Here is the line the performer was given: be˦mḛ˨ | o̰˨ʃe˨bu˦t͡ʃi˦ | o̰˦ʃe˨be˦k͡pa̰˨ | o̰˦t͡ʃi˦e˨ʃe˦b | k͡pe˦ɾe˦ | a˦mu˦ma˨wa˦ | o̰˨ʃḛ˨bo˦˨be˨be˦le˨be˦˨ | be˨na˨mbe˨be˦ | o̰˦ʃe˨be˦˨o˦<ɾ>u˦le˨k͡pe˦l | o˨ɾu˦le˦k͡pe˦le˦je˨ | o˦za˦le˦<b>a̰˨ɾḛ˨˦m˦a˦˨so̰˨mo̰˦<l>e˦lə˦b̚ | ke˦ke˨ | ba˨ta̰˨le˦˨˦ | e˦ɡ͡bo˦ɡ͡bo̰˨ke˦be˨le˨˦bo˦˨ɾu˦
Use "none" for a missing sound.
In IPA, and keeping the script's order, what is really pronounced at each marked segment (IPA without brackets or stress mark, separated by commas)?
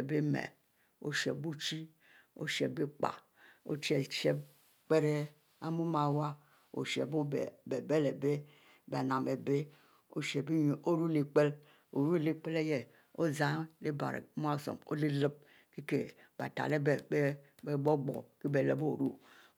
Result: ɾ, b, l